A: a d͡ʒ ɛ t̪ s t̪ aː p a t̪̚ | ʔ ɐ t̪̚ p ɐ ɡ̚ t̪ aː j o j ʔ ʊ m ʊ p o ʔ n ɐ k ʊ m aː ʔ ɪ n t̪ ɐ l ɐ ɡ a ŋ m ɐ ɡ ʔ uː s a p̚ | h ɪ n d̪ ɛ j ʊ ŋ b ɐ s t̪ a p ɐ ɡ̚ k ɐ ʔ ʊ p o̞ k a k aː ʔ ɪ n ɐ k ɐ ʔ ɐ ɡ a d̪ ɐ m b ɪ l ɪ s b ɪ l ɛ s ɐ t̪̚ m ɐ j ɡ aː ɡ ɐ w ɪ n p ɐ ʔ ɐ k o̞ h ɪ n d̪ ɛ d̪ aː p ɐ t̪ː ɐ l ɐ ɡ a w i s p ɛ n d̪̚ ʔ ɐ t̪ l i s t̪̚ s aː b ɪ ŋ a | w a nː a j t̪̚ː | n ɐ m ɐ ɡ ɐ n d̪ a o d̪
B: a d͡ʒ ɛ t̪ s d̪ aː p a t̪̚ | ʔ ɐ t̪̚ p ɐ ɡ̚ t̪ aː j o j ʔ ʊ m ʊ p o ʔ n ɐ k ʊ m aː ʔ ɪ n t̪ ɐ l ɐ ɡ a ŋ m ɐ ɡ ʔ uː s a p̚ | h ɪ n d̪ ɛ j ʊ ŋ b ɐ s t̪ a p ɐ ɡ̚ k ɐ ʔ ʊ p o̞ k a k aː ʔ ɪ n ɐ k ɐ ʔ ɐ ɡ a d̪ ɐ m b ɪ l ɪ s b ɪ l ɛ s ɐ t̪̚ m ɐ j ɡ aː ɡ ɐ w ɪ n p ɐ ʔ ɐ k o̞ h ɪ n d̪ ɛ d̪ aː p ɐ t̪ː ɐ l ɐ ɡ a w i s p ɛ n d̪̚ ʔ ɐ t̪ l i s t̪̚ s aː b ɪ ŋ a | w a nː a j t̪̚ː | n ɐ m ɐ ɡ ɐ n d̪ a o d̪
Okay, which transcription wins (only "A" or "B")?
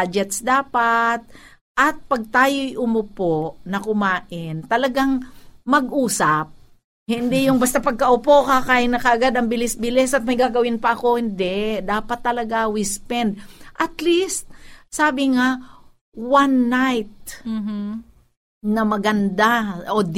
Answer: B